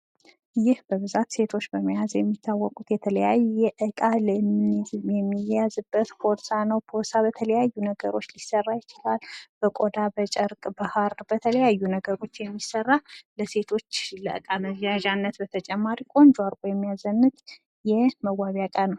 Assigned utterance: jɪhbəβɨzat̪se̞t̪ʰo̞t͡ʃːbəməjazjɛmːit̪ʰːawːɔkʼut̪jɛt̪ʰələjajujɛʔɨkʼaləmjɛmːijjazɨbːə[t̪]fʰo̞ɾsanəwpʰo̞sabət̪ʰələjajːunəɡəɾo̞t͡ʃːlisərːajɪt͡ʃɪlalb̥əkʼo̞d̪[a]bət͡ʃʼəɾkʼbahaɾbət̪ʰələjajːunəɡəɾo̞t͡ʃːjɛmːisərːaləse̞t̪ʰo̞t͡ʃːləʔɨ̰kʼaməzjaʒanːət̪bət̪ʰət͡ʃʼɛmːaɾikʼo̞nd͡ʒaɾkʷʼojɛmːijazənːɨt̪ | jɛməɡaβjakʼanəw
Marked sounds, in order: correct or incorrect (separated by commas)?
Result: correct, correct